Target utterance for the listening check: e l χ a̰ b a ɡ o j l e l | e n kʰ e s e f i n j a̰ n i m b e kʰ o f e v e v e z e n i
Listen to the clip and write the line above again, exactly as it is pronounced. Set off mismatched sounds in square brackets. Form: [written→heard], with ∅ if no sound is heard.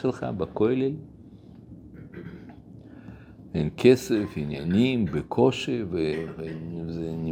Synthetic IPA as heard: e l χ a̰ b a [ɡ→k] o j l e l | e n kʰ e s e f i n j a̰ n i m b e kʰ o [f→ʃ] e v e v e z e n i